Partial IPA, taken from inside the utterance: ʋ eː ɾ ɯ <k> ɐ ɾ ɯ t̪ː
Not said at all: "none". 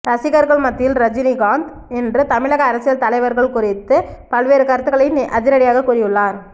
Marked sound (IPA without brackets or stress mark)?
k